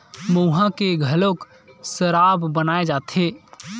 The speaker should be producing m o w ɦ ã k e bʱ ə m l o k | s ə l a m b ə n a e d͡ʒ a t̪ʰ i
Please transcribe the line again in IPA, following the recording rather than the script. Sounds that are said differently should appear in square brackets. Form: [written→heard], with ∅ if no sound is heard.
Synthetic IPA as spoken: m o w ɦ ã k e [bʱ→ɡʱ] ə [m→∅] l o k | s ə [l→ɾ] a [m→b] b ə n a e d͡ʒ a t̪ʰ [i→e]